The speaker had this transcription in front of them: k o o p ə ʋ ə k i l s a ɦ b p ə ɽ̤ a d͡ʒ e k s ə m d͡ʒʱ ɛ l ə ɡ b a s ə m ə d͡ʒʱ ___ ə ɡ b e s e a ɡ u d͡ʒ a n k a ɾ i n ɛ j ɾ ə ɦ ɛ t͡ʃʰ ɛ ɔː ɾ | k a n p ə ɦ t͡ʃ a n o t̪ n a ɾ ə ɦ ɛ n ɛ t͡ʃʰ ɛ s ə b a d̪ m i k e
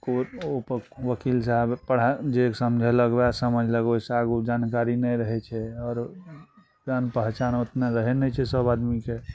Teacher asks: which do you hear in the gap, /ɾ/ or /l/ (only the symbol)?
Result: l